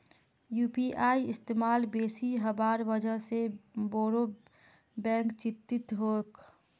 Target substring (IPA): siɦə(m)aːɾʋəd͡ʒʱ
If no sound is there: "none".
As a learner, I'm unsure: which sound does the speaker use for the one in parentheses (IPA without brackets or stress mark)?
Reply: b